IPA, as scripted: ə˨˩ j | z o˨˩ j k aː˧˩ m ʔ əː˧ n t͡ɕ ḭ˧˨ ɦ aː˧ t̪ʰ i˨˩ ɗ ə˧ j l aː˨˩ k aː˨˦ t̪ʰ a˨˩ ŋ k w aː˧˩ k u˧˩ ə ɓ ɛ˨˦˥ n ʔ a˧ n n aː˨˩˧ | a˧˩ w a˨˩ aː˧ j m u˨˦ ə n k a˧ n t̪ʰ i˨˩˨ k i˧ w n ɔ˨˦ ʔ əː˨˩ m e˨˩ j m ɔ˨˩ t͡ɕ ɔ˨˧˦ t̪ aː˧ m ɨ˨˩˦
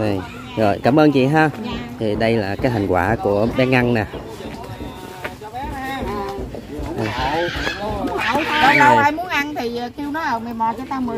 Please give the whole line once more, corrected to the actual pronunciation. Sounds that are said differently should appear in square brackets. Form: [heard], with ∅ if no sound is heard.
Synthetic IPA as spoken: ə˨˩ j | z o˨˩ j k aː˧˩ m ʔ əː˧ n t͡ɕ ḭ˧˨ ɦ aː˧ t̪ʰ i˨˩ ɗ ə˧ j l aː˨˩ k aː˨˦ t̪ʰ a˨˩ ŋ k w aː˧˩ k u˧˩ ə ɓ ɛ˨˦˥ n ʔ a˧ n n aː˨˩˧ | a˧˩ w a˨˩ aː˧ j m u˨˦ ə n [ʔ] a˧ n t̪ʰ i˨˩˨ k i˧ w n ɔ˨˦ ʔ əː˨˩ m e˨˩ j m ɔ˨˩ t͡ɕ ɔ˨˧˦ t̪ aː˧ m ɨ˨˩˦